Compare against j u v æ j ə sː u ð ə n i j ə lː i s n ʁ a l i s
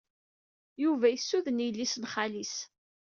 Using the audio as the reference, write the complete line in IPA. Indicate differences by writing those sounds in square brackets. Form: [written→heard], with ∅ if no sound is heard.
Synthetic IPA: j u v æ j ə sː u ð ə n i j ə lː i s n [ʁ→χ] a l i s